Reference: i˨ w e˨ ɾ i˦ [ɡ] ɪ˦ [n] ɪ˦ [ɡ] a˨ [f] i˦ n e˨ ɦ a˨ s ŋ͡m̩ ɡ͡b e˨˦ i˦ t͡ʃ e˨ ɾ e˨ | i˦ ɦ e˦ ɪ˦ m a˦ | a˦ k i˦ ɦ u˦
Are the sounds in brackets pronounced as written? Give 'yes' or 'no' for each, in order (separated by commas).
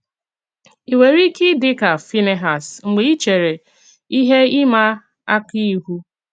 no, no, no, yes